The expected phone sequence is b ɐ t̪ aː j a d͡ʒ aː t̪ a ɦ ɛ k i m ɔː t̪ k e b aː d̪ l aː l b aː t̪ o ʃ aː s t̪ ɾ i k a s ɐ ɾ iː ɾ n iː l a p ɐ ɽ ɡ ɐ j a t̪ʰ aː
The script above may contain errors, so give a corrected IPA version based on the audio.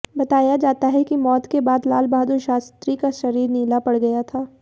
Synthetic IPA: b ɐ t̪ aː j a d͡ʒ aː t̪ a ɦ ɛ k i m ɔː t̪ k e b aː d̪ l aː l b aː d̪ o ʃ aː s t̪ ɾ i k a ʃ ɐ ɾ iː ɾ n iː l a p ɐ ɽ ɡ ɐ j a t̪ʰ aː